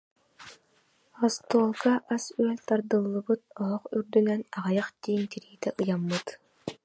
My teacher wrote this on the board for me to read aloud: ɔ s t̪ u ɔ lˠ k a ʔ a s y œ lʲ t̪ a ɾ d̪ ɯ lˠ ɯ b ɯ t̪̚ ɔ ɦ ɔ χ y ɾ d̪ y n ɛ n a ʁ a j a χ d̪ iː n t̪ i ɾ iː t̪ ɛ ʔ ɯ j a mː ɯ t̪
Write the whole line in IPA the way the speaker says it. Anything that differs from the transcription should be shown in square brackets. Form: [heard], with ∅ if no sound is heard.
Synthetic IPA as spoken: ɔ s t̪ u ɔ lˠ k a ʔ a s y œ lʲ t̪ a ɾ d̪ ɯ [lˠː] ɯ b ɯ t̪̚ ɔ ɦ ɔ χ y ɾ d̪ y n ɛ n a ʁ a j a χ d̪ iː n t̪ i ɾ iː t̪ ɛ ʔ ɯ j a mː ɯ t̪

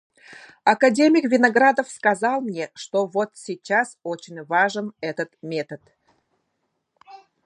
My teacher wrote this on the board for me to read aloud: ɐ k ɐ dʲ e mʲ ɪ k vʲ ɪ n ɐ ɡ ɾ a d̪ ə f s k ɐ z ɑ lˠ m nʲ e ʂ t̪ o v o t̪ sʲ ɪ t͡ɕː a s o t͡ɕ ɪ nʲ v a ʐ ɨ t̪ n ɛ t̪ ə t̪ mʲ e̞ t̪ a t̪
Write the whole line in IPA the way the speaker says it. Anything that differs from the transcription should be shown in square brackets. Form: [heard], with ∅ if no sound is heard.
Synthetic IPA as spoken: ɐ k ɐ dʲ e mʲ ɪ k vʲ ɪ n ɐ ɡ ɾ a d̪ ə f s k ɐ z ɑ lˠ m nʲ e ʂ t̪ o v o t̪ sʲ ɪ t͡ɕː a s o t͡ɕ ɪ nʲ v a ʐ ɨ [∅] n ɛ t̪ ə t̪ mʲ e̞ t̪ [ə] t̪

